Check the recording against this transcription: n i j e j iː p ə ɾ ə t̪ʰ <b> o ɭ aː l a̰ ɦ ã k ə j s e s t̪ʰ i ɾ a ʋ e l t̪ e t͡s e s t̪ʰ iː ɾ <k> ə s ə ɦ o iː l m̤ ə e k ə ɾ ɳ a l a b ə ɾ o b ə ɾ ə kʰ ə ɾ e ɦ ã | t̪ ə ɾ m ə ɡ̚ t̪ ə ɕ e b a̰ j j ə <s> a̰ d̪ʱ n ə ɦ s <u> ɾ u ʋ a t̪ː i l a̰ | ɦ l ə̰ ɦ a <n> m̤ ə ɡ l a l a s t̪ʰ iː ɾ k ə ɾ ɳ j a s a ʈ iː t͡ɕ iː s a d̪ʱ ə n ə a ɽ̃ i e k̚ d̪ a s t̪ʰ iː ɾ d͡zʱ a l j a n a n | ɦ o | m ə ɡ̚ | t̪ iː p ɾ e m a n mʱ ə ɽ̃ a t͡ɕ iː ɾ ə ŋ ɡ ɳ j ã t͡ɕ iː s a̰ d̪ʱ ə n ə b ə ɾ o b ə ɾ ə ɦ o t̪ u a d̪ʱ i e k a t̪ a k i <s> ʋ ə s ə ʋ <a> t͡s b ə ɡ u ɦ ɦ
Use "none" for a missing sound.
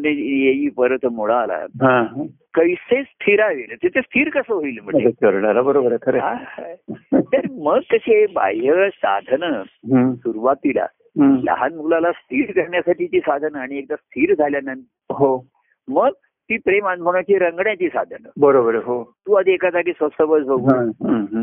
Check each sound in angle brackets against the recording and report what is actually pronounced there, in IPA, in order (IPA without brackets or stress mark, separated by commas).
m, k, s, u, n, s, ə